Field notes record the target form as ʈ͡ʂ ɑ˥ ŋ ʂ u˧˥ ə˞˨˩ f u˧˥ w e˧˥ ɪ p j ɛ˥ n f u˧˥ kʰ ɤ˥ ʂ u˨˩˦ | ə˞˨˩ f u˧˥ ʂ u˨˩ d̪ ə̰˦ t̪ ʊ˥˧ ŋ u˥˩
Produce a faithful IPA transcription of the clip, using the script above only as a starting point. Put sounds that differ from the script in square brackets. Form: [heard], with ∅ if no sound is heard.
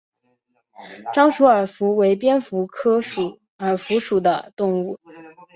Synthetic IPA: ʈ͡ʂ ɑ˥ ŋ ʂ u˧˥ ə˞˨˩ f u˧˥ w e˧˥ ɪ p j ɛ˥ n f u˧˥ kʰ ɤ˥ ʂ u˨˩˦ | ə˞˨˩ f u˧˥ ʂ u˨˩ d̪ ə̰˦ t̪ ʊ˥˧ ŋ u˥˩